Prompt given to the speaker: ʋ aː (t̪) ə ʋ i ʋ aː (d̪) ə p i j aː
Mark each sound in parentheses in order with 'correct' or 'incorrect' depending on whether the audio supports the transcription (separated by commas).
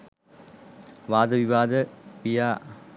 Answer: incorrect, correct